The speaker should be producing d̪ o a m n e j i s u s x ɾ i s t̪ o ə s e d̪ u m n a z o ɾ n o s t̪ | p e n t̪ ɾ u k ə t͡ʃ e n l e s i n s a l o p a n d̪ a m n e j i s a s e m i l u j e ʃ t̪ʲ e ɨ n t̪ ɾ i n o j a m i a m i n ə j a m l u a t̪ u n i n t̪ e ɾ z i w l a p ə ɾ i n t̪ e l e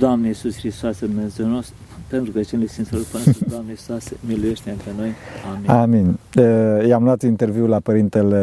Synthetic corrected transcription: d̪ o a m n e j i s u s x ɾ i s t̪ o a s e d̪ u m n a z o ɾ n o s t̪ | p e n t̪ ɾ u k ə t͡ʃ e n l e s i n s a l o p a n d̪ a m n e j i s a s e m i l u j e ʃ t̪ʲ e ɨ n t̪ ɾ e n o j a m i a m i n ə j a m l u a t̪ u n i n t̪ e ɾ v i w l a p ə ɾ i n t̪ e l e